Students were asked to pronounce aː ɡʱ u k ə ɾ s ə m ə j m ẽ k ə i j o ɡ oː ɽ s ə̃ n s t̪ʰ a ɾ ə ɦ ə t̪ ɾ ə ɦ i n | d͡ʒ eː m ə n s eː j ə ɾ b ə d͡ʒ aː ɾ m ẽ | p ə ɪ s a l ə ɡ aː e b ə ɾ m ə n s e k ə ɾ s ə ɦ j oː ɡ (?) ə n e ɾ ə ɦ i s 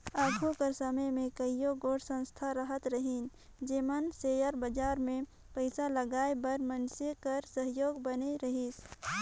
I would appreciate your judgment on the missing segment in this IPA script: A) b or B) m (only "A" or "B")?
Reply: A